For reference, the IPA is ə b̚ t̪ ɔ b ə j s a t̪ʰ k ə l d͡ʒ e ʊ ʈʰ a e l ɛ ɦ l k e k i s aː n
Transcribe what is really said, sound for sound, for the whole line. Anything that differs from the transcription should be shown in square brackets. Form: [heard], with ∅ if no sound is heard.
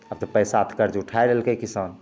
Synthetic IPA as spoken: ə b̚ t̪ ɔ [p] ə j s a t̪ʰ k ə [ɾ] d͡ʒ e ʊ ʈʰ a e [ɾ] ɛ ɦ l k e k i s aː n